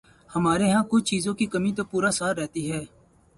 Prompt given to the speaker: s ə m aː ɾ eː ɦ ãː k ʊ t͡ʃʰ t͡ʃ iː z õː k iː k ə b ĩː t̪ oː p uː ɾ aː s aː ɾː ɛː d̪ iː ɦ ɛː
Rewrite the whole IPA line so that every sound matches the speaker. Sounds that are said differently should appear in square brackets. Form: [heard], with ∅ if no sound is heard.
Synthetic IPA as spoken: [h] ə m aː ɾ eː ɦ ãː k ʊ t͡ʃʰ t͡ʃ iː z õː k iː k ə [m] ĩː t̪ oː p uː ɾ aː s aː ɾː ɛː [t̪] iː ɦ ɛː